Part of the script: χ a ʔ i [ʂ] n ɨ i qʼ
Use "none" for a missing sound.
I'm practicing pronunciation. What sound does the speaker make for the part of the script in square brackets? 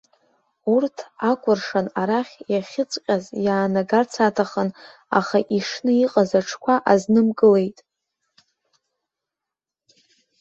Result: ʂ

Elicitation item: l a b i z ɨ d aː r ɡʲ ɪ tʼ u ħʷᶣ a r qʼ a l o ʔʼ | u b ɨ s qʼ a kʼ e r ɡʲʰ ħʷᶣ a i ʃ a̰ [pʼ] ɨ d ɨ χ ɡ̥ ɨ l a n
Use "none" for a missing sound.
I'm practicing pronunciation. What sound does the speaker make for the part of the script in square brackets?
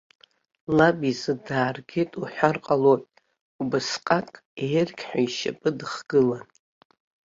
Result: pʼ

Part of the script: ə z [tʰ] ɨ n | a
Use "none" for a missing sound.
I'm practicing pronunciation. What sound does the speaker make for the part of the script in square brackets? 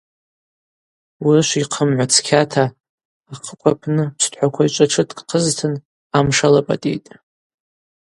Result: tʰ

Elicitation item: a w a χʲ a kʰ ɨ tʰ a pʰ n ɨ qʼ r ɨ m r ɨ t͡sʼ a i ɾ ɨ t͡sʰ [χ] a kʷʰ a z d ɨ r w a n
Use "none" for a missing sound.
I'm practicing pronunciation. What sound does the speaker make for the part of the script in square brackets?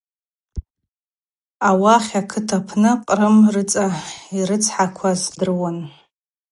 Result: ħ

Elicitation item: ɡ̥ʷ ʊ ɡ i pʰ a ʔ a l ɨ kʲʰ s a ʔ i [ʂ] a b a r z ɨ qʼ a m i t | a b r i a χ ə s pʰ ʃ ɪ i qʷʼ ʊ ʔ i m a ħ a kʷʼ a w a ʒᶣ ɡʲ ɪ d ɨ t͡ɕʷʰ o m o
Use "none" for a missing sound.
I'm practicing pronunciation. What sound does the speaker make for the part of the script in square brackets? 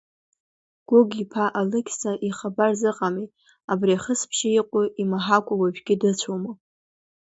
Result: χ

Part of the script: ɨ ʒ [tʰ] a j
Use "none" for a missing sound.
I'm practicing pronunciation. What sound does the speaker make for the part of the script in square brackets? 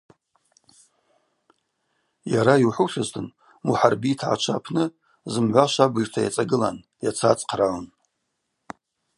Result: tʰ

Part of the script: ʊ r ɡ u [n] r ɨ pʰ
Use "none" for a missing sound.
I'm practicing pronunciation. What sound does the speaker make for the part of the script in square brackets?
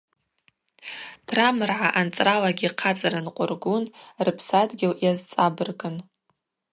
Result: n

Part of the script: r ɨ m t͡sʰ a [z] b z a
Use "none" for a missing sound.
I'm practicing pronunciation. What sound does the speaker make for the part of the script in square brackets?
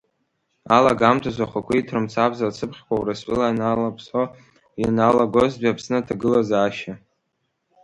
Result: none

